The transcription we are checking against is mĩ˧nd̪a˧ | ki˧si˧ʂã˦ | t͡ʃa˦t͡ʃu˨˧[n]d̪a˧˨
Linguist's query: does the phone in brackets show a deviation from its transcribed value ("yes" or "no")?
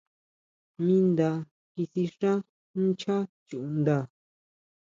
no